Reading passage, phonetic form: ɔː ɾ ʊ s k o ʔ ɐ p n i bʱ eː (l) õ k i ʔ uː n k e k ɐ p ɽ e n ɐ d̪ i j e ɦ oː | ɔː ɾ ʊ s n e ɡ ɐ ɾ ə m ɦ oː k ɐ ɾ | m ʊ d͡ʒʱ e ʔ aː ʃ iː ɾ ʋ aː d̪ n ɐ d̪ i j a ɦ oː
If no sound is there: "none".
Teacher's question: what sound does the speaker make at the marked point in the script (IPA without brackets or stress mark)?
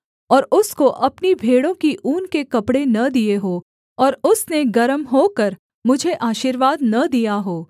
ɽ